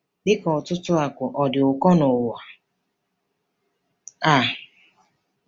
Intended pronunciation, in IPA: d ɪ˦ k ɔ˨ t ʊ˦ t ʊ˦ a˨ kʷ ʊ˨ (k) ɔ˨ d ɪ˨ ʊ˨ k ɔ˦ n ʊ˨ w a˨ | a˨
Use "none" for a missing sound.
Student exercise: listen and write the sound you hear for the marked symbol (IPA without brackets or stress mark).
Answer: ʔ